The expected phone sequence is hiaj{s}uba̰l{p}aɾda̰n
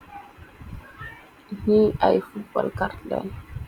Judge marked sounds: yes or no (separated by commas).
no, no